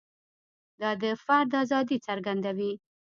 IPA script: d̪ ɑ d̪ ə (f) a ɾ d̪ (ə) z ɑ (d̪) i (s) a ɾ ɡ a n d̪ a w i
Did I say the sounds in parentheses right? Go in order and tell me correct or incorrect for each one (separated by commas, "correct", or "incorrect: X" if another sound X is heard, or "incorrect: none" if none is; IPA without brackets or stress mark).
correct, incorrect: ɑ, correct, incorrect: t͡s